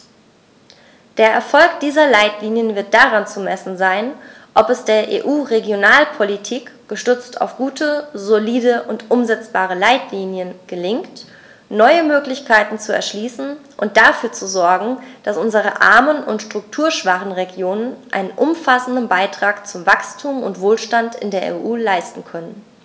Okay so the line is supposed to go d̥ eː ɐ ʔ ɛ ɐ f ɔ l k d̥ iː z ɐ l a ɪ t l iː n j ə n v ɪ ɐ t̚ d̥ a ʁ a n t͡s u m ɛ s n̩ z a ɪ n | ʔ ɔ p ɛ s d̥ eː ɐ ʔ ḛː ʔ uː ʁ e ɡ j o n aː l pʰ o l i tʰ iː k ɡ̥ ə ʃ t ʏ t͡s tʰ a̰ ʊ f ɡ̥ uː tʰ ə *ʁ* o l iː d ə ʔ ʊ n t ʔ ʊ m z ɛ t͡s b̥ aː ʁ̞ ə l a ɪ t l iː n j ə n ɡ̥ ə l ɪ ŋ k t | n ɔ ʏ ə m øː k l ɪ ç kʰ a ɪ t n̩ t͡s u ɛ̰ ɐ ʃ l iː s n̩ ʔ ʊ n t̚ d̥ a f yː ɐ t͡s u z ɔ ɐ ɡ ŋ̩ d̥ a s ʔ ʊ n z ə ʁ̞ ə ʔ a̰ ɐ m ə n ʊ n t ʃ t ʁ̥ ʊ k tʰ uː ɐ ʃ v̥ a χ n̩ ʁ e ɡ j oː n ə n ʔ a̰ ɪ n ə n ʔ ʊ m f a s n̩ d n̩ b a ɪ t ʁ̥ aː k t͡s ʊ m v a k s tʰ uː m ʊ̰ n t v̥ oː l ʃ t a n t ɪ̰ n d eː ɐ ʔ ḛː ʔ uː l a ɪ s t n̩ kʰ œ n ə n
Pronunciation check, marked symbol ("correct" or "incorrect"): incorrect